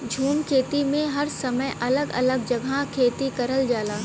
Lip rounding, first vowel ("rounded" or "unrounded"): rounded